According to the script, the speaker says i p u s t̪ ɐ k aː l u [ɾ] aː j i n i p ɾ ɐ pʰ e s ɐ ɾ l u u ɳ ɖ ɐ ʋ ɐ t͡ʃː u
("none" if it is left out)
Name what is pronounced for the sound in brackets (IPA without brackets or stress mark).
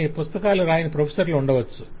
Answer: ɾ